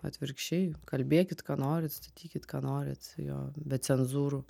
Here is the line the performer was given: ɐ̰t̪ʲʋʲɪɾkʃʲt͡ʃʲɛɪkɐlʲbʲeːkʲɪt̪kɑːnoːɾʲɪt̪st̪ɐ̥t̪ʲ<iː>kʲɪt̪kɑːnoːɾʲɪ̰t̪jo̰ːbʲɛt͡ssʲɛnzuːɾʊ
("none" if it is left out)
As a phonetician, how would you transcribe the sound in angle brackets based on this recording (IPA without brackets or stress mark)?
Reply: iː